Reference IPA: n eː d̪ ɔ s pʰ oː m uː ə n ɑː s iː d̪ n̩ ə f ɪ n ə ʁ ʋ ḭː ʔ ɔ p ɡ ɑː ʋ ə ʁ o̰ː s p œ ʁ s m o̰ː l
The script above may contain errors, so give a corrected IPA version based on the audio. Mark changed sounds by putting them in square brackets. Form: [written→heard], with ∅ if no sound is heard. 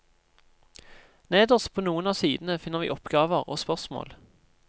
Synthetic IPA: n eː d̪ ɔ s pʰ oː [m→n] uː ə n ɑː s iː d̪ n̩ ə f ɪ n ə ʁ ʋ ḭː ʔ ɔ p ɡ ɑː ʋ ə ʁ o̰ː s p œ ʁ s m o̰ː l